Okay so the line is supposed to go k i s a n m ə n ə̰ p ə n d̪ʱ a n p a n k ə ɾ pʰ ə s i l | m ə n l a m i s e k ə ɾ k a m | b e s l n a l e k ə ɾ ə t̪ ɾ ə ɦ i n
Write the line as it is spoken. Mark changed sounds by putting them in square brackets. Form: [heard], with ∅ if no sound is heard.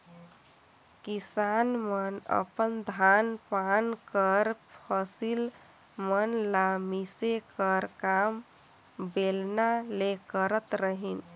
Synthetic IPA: k i s a n m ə n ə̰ p ə n d̪ʱ a n p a n k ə ɾ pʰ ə s i l | m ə n l a m i s e k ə ɾ k a m | b e [∅] l n a l e k ə ɾ ə t̪ ɾ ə ɦ i n